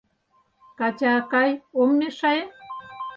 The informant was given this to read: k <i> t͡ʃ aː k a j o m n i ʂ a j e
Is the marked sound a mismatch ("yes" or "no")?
yes